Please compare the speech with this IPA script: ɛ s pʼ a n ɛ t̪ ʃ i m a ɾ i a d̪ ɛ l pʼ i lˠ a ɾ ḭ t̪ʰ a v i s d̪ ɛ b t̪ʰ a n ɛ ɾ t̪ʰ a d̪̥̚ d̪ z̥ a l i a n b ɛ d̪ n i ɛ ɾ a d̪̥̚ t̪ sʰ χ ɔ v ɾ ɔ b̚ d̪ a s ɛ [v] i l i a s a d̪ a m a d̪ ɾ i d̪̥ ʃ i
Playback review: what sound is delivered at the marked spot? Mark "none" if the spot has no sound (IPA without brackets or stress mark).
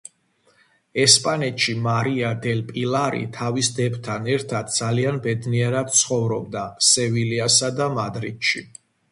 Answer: v